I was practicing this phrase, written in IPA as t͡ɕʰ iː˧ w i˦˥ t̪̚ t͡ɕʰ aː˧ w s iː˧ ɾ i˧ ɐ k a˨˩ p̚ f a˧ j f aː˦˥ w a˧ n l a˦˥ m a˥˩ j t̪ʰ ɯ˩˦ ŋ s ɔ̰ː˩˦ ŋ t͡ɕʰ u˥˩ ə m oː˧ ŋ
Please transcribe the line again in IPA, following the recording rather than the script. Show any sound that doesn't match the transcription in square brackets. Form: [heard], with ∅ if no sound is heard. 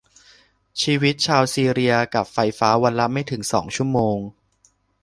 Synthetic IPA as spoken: t͡ɕʰ iː˧ w i˦˥ t̪̚ t͡ɕʰ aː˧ w s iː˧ ɾ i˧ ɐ k a˨˩ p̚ f a˧ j f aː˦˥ w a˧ n l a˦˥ m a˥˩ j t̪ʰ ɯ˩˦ ŋ s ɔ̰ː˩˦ ŋ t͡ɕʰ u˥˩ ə m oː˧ ŋ